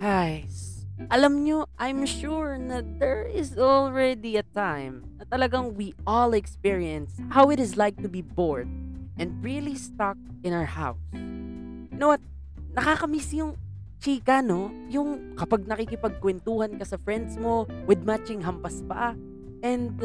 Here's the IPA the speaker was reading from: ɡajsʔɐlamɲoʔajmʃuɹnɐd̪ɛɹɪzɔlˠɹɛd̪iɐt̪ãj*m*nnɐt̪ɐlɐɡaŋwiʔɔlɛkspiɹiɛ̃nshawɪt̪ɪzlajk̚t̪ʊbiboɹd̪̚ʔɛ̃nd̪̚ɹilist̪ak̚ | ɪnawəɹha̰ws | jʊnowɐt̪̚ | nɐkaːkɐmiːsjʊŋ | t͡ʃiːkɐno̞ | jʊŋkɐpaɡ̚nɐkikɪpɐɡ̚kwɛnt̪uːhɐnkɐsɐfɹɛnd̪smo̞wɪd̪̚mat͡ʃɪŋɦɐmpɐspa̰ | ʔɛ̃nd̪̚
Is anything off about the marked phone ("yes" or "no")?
no